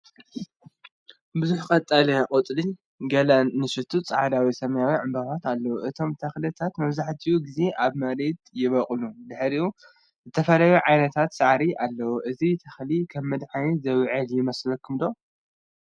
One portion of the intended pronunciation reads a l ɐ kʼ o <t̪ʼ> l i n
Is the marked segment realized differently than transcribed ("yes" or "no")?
no